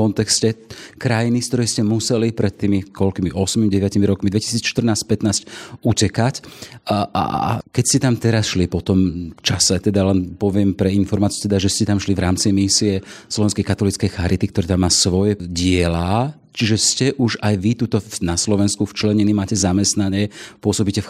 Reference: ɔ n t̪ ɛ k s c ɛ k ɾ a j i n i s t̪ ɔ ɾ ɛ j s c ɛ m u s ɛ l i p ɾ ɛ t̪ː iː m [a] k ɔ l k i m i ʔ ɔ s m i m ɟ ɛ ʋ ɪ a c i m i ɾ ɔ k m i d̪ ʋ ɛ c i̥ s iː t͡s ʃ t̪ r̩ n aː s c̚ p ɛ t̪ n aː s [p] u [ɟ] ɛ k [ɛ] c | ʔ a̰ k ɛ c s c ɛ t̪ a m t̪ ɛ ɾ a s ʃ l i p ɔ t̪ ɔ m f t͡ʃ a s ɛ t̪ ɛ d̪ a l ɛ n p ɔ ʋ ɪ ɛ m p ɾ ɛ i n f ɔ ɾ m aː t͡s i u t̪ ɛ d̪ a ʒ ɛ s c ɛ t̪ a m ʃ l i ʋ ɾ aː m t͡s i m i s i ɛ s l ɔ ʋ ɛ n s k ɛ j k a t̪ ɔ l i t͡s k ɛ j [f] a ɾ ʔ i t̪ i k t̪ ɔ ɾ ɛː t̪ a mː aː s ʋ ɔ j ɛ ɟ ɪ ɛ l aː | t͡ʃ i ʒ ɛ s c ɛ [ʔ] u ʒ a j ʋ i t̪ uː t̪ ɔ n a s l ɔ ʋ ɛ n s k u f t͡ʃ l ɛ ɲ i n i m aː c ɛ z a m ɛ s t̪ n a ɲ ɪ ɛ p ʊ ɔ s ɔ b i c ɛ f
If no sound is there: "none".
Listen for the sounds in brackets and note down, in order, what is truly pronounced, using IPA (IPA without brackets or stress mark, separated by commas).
i, c, c, a, x, ʔ